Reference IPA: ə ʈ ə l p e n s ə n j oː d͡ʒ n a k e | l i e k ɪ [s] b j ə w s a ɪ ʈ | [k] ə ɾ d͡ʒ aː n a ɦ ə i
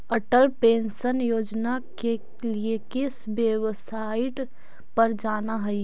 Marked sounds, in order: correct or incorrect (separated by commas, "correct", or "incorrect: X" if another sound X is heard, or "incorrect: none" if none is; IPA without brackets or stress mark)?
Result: correct, incorrect: p